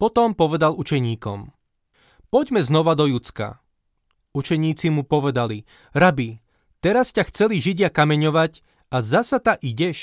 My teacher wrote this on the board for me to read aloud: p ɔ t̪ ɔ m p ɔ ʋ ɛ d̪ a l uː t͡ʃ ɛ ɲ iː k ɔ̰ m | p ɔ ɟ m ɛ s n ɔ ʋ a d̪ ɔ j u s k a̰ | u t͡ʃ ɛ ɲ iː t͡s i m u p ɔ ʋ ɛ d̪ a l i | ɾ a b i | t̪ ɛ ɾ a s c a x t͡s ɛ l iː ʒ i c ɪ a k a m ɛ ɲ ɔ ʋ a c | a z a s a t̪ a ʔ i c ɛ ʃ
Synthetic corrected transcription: p ɔ t̪ ɔ m p ɔ ʋ ɛ d̪ a l u t͡ʃ ɛ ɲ iː k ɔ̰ m | p ɔ ɟ m ɛ z n ɔ ʋ a d̪ ɔ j u t͡s k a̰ | u t͡ʃ ɛ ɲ iː t͡s i m u p ɔ ʋ ɛ d̪ a l i | ɾ a b i | t̪ ɛ ɾ a s c a x t͡s ɛ l i ʒ i ɟ ɪ a k a m ɛ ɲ ɔ ʋ a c | a z a s a t̪ a ʔ i ɟ ɛ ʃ